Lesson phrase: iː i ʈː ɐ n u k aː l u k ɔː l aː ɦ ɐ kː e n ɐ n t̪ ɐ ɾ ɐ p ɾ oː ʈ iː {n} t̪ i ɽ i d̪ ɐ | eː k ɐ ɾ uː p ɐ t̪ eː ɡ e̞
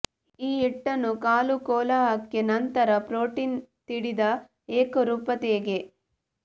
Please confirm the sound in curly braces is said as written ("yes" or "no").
yes